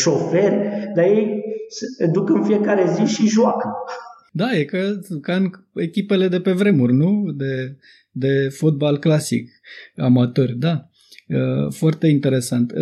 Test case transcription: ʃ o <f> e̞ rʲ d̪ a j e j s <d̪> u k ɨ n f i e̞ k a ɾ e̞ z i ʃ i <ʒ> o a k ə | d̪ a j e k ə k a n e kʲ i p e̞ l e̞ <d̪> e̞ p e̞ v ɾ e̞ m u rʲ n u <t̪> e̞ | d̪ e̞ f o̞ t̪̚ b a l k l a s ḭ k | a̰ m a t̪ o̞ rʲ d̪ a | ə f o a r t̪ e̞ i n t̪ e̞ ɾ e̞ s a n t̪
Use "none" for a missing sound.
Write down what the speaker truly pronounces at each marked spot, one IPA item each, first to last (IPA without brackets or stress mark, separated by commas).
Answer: f, d̪, ʒ, d̪, d̪